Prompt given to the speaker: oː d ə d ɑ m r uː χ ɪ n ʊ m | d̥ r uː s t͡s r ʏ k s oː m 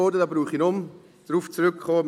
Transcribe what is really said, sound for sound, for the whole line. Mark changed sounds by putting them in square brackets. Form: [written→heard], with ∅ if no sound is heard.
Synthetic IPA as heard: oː d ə d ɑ [m→b] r uː χ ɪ n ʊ m | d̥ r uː [s→f] t͡s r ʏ k [s→χ] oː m